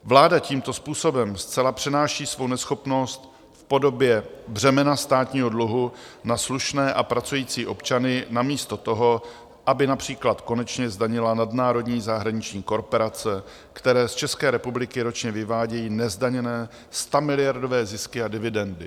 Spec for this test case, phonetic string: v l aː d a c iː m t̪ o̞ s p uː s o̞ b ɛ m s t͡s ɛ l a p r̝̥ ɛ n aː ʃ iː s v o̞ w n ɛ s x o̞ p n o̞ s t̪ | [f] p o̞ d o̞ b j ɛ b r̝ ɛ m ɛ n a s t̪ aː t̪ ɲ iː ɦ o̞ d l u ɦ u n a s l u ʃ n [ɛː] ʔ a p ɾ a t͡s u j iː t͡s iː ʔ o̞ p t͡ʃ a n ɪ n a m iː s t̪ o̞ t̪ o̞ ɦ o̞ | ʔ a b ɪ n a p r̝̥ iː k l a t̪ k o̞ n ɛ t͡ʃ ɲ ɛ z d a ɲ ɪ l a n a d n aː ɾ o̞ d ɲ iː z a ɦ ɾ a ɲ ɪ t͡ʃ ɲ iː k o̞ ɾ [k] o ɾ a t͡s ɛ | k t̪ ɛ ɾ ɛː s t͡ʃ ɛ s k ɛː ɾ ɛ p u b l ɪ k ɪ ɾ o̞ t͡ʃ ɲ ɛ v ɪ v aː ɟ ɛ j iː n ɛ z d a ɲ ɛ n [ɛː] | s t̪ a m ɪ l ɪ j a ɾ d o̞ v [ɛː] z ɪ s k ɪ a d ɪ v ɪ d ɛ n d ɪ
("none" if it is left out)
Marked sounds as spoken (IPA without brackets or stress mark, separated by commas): f, ɛː, p, ɛː, ɛː